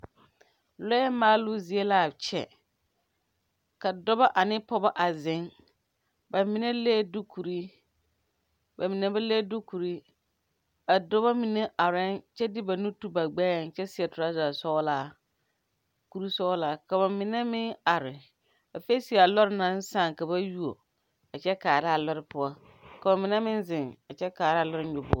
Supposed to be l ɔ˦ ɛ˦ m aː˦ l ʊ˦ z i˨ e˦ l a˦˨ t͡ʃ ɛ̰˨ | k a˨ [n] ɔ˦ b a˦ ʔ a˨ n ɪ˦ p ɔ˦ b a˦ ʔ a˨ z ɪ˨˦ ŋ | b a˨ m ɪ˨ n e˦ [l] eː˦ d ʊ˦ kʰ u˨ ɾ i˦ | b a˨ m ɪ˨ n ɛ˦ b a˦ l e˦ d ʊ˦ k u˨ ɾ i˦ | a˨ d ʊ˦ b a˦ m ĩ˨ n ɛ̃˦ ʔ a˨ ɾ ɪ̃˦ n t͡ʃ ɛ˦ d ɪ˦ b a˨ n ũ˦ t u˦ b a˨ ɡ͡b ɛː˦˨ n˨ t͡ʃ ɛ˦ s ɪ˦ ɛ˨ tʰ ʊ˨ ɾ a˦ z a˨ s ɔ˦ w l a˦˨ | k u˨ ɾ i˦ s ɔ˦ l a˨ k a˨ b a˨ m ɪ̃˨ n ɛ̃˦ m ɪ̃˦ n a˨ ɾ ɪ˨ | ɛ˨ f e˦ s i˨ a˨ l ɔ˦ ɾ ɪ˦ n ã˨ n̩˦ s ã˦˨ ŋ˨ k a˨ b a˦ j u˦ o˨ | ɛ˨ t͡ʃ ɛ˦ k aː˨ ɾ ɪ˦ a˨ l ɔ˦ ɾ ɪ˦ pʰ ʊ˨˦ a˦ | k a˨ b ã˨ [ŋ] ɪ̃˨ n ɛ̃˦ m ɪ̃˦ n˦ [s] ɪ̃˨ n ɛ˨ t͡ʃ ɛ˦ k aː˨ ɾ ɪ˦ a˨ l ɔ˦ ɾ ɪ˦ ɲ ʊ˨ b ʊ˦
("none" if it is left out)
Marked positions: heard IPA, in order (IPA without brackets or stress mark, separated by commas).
d, l, m, z